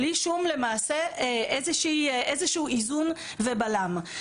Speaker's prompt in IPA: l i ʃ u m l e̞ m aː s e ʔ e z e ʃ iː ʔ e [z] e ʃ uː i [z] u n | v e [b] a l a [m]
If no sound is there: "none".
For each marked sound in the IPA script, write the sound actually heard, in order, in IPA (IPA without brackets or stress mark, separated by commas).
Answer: z, z, b, m